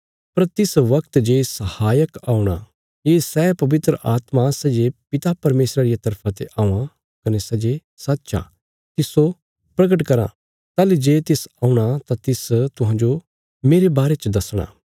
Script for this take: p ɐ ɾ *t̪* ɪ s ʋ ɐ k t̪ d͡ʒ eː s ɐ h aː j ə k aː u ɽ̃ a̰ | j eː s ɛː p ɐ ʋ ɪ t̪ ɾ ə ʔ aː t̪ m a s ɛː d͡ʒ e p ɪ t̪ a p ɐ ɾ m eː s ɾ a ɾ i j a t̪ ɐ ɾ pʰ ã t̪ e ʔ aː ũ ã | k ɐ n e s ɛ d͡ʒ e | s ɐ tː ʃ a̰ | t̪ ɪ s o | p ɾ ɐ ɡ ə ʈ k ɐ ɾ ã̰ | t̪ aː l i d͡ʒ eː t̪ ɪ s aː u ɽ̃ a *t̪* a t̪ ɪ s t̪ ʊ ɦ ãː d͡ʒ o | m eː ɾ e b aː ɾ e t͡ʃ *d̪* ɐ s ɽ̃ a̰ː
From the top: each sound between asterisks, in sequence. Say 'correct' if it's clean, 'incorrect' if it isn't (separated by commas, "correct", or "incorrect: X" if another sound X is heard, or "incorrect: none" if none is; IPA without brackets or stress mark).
correct, correct, correct